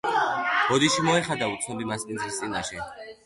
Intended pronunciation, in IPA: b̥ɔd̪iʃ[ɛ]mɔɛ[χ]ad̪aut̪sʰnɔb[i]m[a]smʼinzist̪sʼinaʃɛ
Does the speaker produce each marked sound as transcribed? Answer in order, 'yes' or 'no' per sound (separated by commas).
no, yes, yes, yes